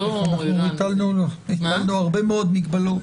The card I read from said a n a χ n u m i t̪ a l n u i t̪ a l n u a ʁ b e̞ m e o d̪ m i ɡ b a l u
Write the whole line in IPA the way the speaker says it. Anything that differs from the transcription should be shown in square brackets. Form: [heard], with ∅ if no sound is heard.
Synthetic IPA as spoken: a n a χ n u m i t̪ a l n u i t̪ a l n u a ʁ b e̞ m e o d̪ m i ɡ b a l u

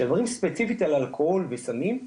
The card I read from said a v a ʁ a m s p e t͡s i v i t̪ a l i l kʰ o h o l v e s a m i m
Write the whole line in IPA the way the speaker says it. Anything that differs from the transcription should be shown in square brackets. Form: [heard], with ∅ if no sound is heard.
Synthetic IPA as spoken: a v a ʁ [i] m s p e t͡s i [f] i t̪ a l [a] l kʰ o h o l v e s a m i m

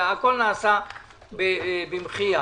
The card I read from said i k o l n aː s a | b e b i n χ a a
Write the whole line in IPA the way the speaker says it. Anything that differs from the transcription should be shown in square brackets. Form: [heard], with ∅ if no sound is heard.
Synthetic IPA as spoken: [a] k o l n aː s a | b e b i [m] χ [i] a

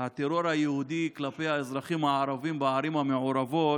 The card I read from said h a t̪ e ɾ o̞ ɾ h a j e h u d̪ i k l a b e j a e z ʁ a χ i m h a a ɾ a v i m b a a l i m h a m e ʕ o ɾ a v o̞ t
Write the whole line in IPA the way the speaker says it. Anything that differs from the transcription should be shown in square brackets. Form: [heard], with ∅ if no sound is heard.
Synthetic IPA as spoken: h a t̪ e ɾ o̞ ɾ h a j e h u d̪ i k l a [p] e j a e z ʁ a χ i m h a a ɾ a v i m b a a [ɾ] i m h a m e ʕ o ɾ a v o̞ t

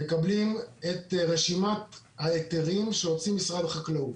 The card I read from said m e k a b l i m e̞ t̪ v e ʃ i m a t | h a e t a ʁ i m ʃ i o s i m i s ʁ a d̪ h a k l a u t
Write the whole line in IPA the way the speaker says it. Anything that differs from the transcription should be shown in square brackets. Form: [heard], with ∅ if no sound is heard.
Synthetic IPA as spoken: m e k a b l i m e̞ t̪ [ʁ] e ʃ i m a t | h a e t [e] ʁ i m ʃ [e] o [t͡s] i m i s ʁ a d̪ [χ] a k l a u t

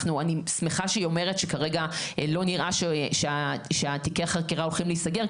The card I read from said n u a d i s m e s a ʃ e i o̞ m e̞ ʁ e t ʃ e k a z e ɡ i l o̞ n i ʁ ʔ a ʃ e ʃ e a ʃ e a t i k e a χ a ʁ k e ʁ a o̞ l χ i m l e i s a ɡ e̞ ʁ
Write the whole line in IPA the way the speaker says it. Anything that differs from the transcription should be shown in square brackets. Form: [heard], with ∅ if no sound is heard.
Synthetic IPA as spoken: n u a [n] i s m e [χ] a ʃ e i o̞ m e̞ ʁ e t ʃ e k a [ʁ] e ɡ [a] l o̞ n i ʁ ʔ a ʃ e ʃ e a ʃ e a t i k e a χ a ʁ k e ʁ a o̞ l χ i m l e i s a ɡ e̞ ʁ

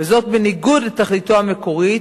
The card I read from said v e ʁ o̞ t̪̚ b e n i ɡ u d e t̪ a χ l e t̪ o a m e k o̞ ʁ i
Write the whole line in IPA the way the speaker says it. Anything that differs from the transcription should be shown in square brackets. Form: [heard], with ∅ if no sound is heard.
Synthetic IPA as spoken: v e [z] o̞ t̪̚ b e n i ɡ u d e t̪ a χ l [i] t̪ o a m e k o̞ ʁ i

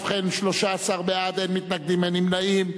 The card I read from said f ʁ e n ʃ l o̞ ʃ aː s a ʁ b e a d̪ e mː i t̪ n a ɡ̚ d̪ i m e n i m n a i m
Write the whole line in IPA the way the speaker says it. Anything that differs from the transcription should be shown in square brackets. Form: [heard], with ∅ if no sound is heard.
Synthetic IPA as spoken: f [χ] e n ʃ l o̞ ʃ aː s a ʁ b e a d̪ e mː i t̪ n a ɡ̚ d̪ i m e n i m n a i m

